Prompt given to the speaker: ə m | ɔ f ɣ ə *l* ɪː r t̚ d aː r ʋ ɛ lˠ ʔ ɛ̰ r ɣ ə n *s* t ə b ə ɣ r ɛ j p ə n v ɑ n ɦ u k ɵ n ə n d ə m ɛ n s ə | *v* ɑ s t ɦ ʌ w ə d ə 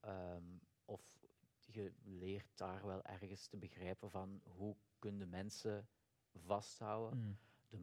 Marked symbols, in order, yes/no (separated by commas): yes, yes, yes